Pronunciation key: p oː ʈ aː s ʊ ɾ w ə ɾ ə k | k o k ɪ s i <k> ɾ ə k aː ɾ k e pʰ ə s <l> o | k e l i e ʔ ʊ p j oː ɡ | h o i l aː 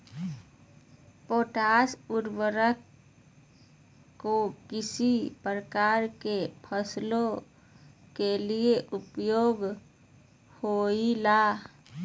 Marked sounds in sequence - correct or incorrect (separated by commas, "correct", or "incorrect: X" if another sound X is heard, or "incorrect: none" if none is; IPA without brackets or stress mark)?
incorrect: p, correct